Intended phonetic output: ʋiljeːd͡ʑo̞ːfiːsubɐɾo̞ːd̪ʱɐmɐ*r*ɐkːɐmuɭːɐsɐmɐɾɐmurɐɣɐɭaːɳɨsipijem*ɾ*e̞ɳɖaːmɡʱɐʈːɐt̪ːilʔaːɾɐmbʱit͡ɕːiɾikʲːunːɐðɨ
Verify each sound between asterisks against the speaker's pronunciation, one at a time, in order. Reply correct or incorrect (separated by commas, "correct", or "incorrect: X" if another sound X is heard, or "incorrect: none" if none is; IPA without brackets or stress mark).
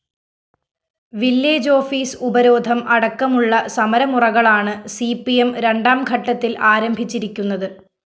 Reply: incorrect: ɽ, correct